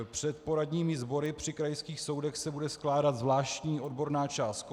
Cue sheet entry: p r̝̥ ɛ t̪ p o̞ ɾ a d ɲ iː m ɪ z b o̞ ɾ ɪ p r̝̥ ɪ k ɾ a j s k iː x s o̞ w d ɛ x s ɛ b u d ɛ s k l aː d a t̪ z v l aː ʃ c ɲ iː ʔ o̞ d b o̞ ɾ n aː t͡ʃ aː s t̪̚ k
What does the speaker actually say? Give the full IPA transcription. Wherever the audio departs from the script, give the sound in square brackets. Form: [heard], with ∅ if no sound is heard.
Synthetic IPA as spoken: p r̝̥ ɛ t̪ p o̞ ɾ a d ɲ iː m ɪ z b o̞ ɾ ɪ p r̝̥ ɪ k ɾ a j s k iː x s o̞ w d ɛ x s ɛ b u d ɛ s k l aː d a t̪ z v l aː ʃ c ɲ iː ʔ o̞ d b o̞ ɾ n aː t͡ʃ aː s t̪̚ k